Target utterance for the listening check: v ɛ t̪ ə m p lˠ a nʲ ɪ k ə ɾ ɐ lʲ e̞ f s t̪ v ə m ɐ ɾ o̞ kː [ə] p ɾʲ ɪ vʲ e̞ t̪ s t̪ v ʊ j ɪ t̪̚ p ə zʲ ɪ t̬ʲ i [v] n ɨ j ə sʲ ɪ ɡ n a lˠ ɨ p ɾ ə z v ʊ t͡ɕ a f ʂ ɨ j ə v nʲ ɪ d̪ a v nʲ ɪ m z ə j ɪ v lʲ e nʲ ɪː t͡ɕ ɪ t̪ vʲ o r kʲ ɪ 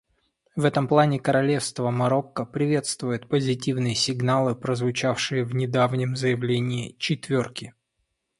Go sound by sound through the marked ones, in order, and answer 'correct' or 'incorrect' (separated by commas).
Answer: correct, correct